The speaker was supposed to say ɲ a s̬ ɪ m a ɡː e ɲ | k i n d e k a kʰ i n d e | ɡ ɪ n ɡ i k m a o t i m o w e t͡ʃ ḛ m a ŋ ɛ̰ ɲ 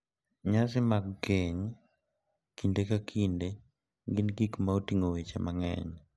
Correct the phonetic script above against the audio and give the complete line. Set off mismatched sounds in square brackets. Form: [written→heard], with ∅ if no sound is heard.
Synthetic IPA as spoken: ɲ a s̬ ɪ m a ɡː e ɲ | k i n d e k a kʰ i n d e | ɡ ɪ n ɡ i k m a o t i [m→ŋ] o w e t͡ʃ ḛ m a ŋ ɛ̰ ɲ